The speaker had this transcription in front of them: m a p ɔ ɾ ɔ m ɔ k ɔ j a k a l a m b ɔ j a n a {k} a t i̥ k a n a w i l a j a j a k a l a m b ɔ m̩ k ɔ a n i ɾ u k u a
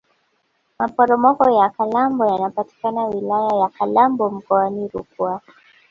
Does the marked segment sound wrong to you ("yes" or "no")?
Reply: yes